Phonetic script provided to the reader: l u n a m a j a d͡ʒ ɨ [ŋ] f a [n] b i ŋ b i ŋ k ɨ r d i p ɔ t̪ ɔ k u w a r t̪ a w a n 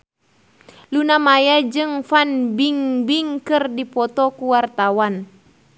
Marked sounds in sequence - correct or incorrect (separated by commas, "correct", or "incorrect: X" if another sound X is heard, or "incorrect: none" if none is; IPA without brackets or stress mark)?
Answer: correct, correct